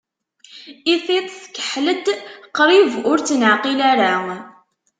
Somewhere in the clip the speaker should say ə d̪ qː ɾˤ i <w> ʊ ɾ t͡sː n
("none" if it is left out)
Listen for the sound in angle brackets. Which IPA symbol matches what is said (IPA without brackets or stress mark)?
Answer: v